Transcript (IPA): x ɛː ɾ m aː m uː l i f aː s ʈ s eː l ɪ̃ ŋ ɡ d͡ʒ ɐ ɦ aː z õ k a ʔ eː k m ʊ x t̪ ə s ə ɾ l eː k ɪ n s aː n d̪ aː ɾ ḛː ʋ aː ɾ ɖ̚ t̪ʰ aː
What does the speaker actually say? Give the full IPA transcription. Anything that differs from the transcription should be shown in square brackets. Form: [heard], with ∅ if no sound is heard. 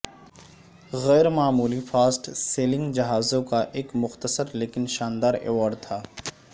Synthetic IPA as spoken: [ɣ] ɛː ɾ m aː m uː l i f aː s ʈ s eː l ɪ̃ ŋ ɡ d͡ʒ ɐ ɦ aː z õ k a ʔ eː k m ʊ x t̪ ə s ə ɾ l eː k ɪ n [ʃ] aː n d̪ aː ɾ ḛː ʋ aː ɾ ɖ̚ t̪ʰ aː